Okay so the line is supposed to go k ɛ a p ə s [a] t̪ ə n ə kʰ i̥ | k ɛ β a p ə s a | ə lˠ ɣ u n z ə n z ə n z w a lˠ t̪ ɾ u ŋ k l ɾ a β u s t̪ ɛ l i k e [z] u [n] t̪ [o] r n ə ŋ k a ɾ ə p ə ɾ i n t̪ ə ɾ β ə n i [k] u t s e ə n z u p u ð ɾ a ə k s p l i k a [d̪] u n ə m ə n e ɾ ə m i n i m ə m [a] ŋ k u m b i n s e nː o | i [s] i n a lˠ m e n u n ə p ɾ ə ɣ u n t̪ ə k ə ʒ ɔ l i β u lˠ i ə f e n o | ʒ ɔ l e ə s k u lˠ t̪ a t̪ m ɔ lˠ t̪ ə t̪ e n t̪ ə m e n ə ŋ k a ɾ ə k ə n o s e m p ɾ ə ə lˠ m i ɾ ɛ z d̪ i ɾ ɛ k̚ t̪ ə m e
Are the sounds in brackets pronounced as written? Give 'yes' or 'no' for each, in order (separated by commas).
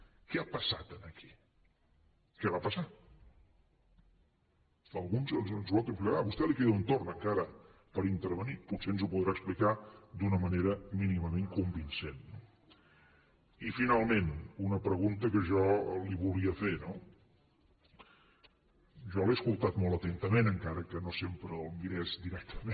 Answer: yes, no, yes, yes, no, yes, no, no